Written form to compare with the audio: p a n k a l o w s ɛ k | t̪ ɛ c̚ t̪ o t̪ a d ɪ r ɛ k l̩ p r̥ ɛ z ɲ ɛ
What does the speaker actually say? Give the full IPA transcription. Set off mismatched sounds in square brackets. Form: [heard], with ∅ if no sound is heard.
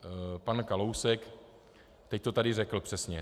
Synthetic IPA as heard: p a n k a l o w s ɛ k | t̪ ɛ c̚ t̪ o t̪ a d ɪ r ɛ k l̩ p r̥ ɛ [s] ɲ ɛ